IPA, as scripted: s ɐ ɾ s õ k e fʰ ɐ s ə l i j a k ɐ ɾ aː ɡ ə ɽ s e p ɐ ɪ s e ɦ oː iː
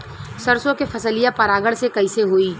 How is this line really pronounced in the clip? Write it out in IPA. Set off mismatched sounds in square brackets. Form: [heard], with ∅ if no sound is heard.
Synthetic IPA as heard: s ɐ ɾ s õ k e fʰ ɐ s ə l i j a [p] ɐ ɾ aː ɡ ə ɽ s e [k] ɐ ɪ s e ɦ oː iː